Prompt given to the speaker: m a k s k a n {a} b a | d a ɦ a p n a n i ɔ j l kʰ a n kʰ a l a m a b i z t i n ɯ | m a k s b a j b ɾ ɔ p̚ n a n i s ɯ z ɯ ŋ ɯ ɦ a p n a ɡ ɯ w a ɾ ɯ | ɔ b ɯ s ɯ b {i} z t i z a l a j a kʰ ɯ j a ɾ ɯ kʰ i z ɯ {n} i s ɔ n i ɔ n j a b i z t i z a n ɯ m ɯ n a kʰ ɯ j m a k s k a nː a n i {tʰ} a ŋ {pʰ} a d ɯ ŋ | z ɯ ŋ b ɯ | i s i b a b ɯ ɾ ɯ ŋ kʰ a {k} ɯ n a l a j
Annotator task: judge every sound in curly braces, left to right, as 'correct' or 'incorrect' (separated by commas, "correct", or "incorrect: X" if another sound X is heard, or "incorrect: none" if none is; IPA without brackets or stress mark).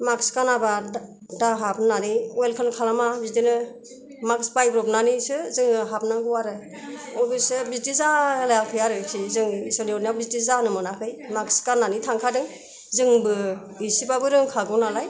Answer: correct, correct, incorrect: ŋ, correct, incorrect: kʰ, incorrect: ɡ